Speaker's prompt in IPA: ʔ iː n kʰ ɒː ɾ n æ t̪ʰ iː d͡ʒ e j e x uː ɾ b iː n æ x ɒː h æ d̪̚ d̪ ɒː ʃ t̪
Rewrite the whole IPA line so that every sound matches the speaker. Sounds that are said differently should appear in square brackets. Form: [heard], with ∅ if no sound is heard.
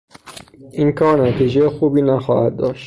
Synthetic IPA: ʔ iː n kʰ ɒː ɾ n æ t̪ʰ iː d͡ʒ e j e x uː [∅] b iː n æ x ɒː h æ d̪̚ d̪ ɒː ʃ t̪